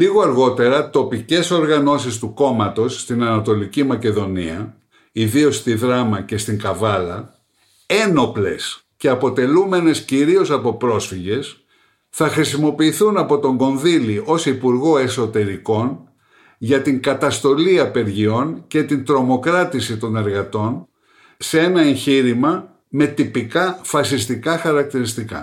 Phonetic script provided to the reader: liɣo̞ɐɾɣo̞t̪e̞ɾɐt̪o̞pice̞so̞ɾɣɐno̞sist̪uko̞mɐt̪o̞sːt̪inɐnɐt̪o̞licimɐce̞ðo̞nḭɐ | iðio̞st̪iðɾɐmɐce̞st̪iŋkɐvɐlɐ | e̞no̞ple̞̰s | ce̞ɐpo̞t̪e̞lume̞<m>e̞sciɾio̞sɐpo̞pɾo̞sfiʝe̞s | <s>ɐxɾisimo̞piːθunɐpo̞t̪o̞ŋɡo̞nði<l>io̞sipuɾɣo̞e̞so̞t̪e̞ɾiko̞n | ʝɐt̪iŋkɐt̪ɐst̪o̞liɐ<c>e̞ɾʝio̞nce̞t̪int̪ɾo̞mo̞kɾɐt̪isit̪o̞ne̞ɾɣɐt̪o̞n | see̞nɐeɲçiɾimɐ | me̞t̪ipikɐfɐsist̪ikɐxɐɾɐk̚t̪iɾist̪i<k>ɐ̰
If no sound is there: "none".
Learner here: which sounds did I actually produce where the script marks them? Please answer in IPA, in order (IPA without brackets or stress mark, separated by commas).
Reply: n, θ, l, p, k